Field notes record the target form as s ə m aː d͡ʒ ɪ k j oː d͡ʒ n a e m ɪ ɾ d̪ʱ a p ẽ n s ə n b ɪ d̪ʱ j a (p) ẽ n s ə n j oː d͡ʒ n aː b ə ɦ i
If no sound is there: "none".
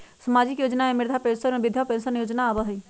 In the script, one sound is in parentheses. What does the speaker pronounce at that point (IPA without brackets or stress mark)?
p